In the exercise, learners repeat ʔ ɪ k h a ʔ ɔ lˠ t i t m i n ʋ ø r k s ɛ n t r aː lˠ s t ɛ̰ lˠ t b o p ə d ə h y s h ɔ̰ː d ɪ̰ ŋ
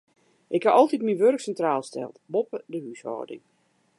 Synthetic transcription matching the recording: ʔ ɪ k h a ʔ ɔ lˠ t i t m i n ʋ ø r k s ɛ n t r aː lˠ s t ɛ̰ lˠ t b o p ə d ə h y s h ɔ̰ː d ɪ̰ ŋ